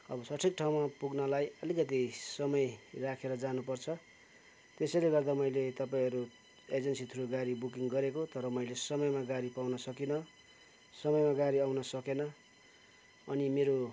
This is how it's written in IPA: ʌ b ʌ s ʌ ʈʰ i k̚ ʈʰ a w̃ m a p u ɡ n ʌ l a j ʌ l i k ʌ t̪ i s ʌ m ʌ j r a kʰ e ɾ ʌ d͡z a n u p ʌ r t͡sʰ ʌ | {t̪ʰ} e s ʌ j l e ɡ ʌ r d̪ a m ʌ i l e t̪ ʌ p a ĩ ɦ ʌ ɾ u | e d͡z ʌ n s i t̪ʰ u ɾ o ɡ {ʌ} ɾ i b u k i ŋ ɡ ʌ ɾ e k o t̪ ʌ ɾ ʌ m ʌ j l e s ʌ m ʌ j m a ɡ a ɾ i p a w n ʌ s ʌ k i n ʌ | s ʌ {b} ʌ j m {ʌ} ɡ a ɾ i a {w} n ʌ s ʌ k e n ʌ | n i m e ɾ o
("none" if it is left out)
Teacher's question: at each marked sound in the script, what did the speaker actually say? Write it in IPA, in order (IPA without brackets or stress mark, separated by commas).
t̪, a, m, a, w